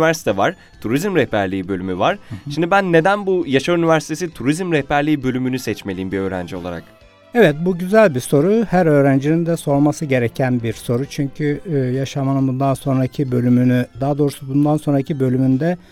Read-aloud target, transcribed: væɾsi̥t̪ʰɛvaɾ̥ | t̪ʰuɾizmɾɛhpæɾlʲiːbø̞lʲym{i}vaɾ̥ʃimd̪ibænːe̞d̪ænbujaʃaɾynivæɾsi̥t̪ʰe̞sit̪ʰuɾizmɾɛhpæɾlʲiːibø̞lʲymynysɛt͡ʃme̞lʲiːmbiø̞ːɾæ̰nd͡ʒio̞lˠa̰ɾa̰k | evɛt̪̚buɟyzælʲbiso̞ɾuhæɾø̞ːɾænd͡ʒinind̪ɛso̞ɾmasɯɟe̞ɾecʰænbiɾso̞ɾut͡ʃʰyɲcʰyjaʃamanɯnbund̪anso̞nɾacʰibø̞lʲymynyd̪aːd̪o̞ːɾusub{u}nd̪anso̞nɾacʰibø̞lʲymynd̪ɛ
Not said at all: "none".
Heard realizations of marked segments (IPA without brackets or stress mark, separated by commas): y, u